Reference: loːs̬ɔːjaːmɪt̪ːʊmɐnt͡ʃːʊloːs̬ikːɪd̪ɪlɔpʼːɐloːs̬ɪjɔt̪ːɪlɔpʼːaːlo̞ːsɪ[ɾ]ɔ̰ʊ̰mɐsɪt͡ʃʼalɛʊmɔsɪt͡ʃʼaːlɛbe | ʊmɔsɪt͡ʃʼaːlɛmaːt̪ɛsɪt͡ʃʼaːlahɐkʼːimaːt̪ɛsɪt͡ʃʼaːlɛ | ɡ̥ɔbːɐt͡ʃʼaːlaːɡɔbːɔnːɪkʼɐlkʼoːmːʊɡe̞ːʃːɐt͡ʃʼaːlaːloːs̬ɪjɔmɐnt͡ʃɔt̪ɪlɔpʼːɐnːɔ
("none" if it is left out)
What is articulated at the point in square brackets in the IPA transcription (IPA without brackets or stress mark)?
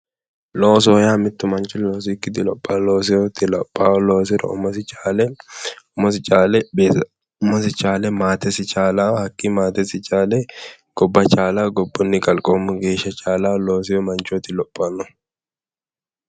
ɾ